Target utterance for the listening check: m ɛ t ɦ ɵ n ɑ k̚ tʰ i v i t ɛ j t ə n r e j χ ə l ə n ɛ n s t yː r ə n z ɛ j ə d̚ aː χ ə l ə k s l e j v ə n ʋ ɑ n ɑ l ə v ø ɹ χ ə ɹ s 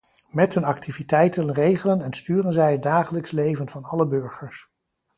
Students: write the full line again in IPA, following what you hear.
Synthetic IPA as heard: m ɛ t ɦ ɵ n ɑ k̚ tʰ i v i t ɛ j t ə n r e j χ ə l ə n ɛ n s t yː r ə n z ɛ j ə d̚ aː χ ə l ə k s l e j v ə n v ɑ n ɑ l ə b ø ɹ χ ə ɹ s